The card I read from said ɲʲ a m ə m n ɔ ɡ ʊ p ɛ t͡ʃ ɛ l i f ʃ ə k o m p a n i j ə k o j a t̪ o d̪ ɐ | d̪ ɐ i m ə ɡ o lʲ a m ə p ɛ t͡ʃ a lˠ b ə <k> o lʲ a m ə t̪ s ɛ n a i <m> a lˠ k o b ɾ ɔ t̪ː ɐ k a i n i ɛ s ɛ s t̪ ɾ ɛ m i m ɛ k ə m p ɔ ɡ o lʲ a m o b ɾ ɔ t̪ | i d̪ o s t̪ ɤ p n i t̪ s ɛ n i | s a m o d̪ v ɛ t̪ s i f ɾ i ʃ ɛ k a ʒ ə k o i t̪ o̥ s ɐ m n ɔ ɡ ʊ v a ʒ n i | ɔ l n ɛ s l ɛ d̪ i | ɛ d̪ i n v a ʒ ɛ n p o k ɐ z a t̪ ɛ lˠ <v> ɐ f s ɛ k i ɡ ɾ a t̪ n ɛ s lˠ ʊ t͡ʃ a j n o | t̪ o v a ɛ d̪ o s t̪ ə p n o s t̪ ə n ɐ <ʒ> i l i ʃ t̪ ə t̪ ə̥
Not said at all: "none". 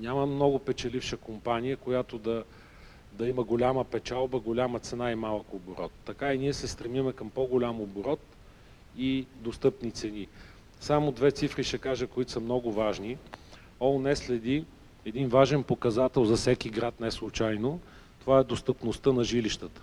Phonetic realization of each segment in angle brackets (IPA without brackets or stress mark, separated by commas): ɡ, m, z, ʒ